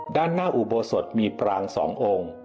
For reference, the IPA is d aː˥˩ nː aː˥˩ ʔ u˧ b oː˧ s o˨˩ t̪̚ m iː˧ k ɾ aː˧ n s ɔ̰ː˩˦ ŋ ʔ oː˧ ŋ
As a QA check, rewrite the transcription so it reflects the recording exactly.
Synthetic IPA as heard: d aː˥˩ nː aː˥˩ ʔ u˨˩ b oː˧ s o˨˩ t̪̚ m iː˧ p ɾ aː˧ ŋ s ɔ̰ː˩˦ ŋ ʔ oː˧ ŋ

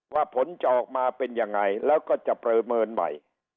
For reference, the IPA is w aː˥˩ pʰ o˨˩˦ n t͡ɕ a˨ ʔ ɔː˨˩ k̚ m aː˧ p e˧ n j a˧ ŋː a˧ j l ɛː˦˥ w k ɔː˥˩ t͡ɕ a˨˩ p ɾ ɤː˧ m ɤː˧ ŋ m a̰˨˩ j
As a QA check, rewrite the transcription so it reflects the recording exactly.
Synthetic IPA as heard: w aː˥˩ pʰ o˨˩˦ n t͡ɕ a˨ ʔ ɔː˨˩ k̚ m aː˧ p e˧ n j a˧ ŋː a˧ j l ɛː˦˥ w k ɔː˥˩ t͡ɕ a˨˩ p ɾ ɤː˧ m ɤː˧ n m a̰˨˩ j

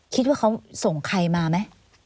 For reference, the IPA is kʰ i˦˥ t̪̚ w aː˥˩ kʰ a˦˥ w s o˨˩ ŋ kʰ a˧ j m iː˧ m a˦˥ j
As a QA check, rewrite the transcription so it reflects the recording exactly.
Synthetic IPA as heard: kʰ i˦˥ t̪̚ w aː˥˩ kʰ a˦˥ w s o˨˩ ŋ kʰ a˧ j m aː˧ m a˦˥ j

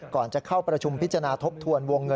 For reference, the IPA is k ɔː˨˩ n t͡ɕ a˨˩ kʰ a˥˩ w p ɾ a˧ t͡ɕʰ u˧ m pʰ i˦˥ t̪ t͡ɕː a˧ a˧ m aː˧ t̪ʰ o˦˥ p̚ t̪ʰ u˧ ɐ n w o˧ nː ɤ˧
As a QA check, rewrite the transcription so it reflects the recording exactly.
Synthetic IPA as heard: k ɔː˨˩ n t͡ɕ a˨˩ kʰ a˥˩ w p ɾ a˧ t͡ɕʰ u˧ m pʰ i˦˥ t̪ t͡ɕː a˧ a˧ n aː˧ t̪ʰ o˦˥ p̚ t̪ʰ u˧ ə n w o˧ ŋː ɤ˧

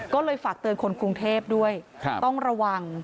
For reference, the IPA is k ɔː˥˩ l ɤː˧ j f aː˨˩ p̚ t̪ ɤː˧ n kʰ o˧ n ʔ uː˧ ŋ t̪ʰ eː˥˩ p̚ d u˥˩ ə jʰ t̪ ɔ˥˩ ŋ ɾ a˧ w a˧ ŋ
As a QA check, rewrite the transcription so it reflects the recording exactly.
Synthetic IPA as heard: k ɔː˥˩ l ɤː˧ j f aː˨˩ k̚ t̪ ɤː˧ n kʰ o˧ n k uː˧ ŋ t̪ʰ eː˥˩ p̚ d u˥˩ ə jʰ t̪ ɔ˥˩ ŋ ɾ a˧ w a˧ ŋ

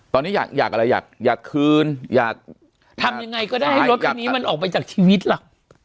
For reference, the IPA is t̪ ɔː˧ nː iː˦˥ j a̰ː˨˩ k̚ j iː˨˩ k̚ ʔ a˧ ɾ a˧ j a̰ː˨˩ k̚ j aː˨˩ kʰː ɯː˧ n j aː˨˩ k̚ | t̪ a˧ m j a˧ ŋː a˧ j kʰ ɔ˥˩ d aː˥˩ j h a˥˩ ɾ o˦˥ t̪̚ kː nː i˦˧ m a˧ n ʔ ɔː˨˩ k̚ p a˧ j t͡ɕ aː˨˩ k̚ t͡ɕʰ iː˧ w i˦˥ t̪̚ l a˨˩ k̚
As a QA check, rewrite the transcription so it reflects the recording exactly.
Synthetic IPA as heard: t̪ ɔː˧ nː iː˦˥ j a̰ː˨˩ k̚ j aː˨˩ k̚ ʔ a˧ ɾ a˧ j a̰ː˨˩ k̚ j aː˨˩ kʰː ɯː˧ n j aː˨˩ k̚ | t̪ʰ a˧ m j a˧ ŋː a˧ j k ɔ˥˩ d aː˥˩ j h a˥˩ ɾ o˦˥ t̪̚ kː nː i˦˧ m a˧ n ʔ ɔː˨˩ k̚ p a˧ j t͡ɕ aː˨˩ k̚ t͡ɕʰ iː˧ w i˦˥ t̪̚ l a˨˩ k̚

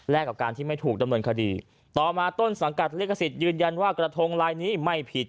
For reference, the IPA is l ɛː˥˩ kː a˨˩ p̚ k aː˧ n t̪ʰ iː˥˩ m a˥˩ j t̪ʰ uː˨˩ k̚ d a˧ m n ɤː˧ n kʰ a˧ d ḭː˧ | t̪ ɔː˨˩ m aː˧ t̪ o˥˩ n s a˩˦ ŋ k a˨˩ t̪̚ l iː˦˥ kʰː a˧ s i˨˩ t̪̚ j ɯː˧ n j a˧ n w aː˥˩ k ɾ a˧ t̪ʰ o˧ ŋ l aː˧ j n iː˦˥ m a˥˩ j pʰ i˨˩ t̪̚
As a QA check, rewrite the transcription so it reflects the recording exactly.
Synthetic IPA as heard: l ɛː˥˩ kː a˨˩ p̚ k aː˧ n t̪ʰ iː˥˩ m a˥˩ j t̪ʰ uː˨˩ k̚ d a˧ m n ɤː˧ n kʰ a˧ d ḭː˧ | t̪ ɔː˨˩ m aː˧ t̪ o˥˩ n s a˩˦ ŋ k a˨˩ t̪̚ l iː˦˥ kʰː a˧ s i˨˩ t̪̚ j ɯː˧ n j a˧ n w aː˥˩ k ɾ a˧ t̪ʰ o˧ ŋ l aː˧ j n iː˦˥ m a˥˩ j pʰ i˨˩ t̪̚

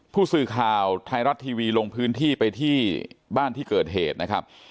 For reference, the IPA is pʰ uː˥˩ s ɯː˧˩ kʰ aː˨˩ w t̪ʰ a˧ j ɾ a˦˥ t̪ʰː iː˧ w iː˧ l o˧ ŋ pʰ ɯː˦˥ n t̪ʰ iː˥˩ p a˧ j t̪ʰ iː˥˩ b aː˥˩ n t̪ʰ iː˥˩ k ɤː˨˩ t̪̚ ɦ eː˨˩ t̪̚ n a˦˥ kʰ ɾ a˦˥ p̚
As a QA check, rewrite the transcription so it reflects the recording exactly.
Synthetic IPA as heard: pʰ uː˥˩ s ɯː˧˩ kʰ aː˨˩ w t̪ʰ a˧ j ɾ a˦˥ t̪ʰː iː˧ w iː˧ l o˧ ŋ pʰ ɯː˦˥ n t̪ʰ iː˥˩ p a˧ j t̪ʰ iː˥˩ b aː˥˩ n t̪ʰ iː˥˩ k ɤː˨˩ t̪̚ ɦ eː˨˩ t̪̚ n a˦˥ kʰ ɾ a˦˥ p̚

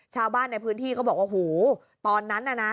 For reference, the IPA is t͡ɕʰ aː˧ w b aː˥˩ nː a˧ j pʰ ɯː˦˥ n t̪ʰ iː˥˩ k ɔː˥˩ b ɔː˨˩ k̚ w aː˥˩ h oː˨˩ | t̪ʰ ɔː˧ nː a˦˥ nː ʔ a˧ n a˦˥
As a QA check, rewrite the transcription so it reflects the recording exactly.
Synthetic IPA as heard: t͡ɕʰ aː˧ w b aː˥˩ nː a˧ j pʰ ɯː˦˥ n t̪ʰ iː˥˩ k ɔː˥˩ b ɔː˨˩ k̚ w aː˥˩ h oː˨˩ | t̪ ɔː˧ nː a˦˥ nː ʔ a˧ n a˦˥

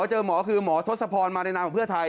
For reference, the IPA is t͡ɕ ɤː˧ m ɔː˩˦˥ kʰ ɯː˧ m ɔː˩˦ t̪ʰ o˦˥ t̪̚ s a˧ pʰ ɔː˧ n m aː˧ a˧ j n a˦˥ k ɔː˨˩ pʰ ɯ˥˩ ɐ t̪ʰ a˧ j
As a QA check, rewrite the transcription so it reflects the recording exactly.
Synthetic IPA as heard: t͡ɕ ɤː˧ m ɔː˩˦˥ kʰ ɯː˧ m ɔː˩˦ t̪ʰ o˦˥ t̪̚ s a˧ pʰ ɔː˧ n m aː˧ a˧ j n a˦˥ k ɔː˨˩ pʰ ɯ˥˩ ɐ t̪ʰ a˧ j

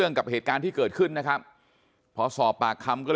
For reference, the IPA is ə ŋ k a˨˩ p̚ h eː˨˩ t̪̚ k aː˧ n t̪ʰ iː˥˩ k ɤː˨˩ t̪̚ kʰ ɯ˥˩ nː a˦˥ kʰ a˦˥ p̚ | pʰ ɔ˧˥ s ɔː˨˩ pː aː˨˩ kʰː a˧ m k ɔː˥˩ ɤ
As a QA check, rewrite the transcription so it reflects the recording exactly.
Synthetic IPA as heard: ə ŋ k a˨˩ p̚ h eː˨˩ t̪̚ k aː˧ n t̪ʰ iː˥˩ k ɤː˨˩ t̪̚ kʰ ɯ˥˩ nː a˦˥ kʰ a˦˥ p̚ | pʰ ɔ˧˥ s ɔː˨˩ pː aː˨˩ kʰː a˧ m k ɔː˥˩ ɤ

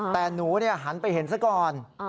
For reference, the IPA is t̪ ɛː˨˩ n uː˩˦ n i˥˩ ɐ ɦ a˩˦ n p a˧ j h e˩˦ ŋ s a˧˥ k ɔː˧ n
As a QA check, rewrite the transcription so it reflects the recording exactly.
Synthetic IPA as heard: t̪ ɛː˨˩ n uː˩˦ n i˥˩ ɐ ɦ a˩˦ n p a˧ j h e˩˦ n s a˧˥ k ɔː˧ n

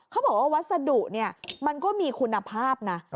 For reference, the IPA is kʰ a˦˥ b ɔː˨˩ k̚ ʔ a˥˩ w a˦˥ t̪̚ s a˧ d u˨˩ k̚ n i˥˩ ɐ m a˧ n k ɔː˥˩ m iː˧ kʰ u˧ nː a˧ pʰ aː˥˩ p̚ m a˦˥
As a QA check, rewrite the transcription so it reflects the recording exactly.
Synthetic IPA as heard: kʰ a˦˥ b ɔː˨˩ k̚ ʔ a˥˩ w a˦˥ t̪̚ s a˧ d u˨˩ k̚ n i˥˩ ɐ m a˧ n k ɔː˥˩ m iː˧ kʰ u˧ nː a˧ pʰ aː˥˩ p̚ n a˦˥

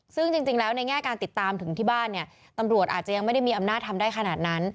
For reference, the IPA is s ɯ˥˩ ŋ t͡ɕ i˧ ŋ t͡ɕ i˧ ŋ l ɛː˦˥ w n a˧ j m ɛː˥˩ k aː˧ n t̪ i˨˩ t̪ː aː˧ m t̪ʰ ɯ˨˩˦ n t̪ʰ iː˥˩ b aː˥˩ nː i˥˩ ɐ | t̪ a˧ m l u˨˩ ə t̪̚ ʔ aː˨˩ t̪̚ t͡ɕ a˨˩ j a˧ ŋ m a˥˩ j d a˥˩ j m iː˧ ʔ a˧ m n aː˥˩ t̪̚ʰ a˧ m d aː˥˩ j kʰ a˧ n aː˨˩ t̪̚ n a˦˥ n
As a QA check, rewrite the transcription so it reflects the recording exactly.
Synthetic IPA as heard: s ɯ˥˩ ŋ t͡ɕ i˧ ŋ t͡ɕ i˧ ŋ l ɛː˦˥ w n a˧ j ŋ ɛː˥˩ k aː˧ n t̪ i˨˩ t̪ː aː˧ m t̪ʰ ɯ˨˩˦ ŋ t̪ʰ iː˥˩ b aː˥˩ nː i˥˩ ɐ | t̪ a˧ m ɾ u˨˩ ə t̪̚ ʔ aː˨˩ t̪̚ t͡ɕ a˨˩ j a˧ ŋ m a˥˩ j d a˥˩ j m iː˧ ʔ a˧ m n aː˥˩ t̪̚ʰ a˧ m d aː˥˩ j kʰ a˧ n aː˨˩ t̪̚ n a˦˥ n

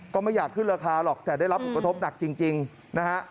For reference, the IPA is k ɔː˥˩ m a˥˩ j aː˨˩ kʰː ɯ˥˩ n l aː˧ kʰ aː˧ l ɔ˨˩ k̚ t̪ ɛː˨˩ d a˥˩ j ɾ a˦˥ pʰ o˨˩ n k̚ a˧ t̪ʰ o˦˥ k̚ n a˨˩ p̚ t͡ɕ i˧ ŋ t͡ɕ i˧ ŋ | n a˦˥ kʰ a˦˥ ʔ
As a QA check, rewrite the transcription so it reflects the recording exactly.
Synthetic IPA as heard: k ɔː˥˩ m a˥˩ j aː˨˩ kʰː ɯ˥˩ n ɾ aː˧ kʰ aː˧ l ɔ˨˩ k̚ t̪ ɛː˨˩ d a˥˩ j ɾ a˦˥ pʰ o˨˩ n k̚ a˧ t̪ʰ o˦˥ p̚ n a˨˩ k̚ t͡ɕ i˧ ŋ t͡ɕ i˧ ŋ | n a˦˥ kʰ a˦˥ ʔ

